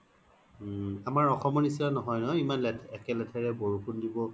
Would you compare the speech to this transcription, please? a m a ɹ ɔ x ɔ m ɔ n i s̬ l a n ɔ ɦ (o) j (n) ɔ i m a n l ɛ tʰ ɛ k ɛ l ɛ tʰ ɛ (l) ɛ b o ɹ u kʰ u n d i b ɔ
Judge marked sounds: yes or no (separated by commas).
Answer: no, yes, no